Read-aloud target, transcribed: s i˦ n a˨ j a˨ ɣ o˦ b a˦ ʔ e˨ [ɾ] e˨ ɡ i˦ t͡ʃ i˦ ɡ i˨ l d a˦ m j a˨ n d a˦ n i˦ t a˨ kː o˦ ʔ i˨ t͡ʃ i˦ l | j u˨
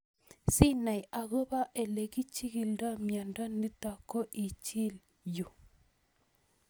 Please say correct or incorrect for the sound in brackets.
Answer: incorrect